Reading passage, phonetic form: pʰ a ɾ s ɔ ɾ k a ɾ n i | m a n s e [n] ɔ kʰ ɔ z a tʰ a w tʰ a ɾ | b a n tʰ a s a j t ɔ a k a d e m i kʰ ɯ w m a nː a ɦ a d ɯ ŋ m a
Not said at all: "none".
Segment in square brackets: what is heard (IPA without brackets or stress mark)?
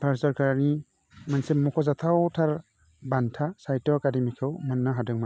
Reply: m